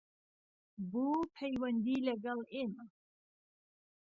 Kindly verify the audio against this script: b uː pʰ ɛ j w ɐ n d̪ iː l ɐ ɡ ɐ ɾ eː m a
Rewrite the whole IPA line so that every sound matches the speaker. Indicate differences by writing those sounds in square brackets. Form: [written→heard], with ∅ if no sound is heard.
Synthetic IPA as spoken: b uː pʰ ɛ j w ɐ n d̪ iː l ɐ ɡ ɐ [ɾ→l] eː m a